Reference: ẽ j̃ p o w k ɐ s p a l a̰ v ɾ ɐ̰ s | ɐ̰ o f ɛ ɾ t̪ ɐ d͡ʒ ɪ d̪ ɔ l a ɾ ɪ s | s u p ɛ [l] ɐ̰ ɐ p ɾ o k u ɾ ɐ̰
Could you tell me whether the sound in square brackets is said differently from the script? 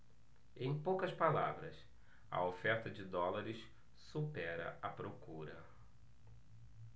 yes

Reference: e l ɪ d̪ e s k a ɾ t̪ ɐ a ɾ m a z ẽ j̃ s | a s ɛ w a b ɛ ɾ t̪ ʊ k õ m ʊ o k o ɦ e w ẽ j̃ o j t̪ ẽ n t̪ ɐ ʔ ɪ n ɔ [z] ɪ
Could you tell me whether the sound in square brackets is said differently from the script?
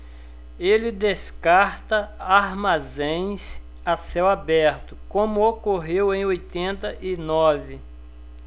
yes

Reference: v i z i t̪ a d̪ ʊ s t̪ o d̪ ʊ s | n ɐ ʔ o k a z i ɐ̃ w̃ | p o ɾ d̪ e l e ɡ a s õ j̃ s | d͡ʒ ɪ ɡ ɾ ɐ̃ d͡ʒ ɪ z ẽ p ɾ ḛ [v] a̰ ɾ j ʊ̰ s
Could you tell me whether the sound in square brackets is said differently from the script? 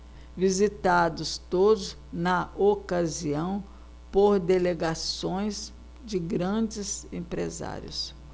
yes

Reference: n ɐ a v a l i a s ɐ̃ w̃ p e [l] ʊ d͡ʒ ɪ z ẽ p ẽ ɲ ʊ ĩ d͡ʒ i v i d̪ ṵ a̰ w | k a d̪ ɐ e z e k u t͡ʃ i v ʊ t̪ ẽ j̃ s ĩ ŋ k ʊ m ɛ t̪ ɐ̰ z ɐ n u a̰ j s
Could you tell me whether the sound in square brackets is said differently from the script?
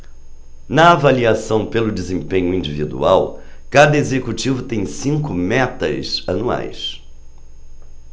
no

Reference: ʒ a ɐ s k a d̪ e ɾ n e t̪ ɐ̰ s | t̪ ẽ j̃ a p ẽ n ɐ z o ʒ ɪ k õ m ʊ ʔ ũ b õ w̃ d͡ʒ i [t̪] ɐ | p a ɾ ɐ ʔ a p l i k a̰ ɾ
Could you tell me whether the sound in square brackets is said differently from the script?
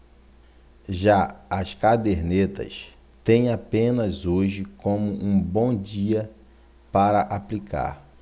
yes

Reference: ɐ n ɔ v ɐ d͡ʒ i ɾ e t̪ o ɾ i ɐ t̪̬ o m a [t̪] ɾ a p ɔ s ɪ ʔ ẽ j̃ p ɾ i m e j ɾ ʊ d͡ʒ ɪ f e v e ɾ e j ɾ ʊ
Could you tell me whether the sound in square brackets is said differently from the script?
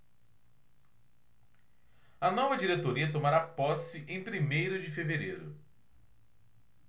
yes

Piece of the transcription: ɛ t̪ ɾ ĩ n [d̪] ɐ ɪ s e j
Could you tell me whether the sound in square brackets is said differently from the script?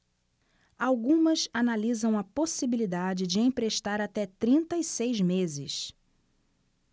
yes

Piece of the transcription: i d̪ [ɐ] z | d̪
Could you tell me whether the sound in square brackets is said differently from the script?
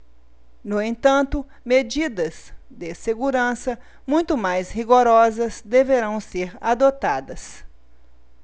no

